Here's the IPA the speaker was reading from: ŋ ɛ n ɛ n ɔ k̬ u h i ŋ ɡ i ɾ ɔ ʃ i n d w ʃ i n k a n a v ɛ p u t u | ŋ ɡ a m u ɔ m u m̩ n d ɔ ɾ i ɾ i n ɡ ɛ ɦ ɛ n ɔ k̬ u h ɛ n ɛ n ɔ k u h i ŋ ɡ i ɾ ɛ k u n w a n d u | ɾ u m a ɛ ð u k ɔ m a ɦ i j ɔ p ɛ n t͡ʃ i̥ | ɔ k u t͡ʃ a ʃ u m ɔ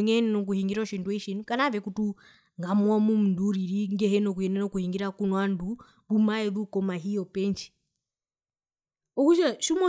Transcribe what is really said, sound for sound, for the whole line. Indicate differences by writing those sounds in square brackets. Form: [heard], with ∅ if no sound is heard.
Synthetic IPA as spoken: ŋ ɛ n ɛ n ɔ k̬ u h i ŋ ɡ i ɾ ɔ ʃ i n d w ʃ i n k a n a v ɛ [k] u t u | ŋ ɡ a m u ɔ m u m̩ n d [u] ɾ i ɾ i [ŋ] ɡ ɛ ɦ ɛ n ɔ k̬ u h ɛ n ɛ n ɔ k u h i ŋ ɡ i ɾ [a] k u n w a n d u | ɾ u m a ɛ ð u k ɔ m a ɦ i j ɔ p ɛ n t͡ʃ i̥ | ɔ k u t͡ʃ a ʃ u m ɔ